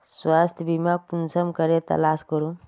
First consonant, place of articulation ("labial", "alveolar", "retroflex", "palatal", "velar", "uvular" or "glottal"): alveolar